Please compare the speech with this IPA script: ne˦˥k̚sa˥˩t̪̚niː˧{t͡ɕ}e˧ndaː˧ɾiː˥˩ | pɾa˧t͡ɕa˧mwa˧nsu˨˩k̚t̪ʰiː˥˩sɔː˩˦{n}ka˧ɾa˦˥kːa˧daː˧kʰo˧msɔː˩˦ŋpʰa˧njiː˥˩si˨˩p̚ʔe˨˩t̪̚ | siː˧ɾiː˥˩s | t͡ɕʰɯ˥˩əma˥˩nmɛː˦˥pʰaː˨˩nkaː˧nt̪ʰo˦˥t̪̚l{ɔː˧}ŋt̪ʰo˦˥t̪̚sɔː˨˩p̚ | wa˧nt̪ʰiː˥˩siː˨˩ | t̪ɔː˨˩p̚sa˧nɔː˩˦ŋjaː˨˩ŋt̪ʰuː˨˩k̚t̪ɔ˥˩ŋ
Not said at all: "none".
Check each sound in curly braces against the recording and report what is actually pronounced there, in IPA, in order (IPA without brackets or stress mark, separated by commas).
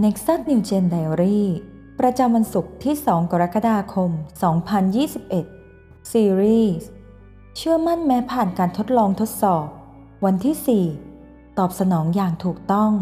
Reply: t͡ɕ, ŋ, ɔː˧